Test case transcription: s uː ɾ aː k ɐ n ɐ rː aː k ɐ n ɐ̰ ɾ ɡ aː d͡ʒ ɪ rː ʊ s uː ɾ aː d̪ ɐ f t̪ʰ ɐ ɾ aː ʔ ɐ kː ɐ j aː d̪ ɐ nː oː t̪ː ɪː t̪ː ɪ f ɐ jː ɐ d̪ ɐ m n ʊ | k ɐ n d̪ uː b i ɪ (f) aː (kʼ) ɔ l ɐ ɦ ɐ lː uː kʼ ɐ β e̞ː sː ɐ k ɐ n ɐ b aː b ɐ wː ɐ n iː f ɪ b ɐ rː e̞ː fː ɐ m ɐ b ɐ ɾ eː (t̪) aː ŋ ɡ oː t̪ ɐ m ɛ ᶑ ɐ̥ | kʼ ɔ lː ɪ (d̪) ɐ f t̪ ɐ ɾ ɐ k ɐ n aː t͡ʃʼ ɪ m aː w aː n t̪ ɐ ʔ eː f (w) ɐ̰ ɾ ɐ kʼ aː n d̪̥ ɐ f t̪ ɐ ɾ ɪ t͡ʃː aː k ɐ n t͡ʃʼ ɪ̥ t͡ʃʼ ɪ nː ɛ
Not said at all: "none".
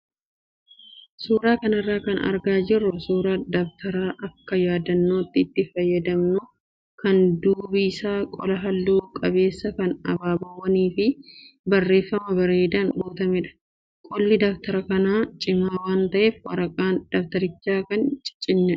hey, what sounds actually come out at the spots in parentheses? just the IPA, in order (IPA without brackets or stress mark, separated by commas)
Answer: s, kʼ, d̪, d̪, w